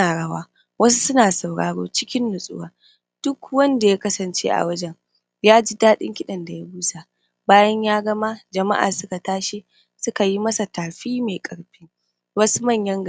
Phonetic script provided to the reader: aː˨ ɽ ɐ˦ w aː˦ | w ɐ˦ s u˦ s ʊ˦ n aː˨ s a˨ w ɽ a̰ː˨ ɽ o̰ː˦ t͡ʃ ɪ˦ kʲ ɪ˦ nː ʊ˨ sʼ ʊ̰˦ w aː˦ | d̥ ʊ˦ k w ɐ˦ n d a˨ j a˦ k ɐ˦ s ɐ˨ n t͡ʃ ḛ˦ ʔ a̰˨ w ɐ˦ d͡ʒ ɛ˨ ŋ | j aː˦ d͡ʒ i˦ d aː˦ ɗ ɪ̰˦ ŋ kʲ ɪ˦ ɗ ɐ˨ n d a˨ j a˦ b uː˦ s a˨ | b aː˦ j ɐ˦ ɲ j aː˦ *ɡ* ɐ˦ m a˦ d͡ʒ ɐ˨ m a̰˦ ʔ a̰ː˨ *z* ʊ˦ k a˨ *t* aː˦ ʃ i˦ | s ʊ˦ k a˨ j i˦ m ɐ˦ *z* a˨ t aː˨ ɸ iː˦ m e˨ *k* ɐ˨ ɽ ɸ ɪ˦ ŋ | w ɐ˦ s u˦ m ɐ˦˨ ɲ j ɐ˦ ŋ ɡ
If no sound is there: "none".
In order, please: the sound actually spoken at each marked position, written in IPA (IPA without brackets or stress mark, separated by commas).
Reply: ɡ, s, t, s, kʼ